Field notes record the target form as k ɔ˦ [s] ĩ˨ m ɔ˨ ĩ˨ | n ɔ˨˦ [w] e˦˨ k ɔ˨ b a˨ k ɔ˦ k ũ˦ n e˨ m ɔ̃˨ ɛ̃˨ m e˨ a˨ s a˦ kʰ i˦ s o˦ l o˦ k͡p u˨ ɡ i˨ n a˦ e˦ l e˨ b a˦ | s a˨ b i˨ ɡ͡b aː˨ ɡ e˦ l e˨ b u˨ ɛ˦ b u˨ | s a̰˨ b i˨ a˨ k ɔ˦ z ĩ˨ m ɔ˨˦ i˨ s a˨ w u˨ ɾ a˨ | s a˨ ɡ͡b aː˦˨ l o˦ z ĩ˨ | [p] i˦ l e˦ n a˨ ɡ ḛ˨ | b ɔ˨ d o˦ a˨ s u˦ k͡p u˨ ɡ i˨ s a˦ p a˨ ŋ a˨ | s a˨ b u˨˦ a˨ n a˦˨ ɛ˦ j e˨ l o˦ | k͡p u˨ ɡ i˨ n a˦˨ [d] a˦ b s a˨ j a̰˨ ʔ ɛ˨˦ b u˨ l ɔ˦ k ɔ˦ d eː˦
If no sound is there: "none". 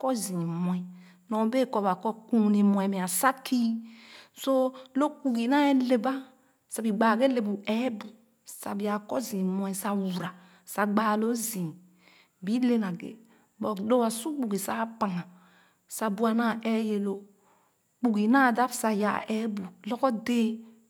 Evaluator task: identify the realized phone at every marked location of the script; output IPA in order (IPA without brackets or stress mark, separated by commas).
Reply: z, b, b, d